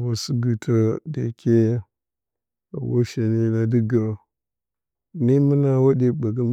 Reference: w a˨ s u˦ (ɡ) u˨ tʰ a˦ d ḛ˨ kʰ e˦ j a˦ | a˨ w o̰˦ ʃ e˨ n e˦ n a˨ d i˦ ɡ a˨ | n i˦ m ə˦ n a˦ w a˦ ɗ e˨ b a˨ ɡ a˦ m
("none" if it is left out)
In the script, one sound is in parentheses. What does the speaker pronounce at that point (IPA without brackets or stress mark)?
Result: ɡ